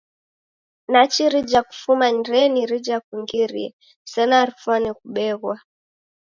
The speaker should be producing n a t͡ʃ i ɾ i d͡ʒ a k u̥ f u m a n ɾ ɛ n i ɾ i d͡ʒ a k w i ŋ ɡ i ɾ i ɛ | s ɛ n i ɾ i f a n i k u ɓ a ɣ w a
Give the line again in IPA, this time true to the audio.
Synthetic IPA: n a t͡ʃ i ɾ i d͡ʒ a k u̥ f u m a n ɾ ɛ n i ɾ i d͡ʒ a k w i ŋ ɡ i ɾ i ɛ | s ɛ n a ɾ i f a n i k u ɓ ɛ ɣ w a